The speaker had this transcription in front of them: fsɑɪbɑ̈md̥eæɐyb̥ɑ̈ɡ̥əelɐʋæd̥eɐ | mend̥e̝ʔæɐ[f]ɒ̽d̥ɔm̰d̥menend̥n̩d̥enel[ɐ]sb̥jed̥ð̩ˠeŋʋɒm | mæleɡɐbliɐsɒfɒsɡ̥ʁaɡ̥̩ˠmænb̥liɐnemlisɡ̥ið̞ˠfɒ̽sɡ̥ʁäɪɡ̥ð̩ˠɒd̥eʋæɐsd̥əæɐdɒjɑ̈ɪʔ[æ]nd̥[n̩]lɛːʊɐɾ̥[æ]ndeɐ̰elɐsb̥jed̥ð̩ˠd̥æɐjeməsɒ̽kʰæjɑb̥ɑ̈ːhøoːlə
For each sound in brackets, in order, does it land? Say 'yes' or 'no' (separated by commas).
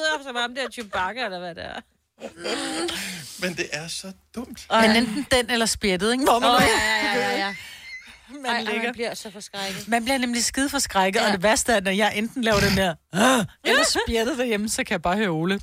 no, yes, no, yes, no